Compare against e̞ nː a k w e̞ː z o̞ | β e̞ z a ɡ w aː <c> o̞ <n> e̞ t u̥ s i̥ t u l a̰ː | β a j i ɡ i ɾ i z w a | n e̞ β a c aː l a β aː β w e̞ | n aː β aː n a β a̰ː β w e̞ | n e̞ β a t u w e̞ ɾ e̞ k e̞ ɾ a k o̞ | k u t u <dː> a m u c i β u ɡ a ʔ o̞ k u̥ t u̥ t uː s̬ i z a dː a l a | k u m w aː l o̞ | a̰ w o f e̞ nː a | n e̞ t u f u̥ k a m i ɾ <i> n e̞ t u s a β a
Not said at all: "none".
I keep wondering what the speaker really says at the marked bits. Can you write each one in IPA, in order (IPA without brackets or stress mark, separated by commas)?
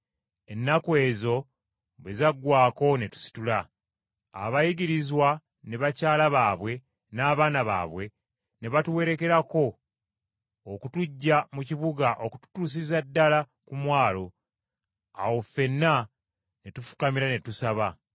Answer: k, n, ɟː, a